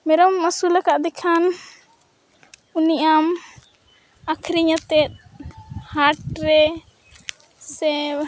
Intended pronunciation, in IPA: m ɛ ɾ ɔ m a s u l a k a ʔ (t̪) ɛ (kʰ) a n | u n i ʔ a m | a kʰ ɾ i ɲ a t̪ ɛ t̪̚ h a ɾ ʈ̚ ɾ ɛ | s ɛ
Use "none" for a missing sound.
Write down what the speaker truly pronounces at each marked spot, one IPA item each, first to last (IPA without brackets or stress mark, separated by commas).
d̪, kʰ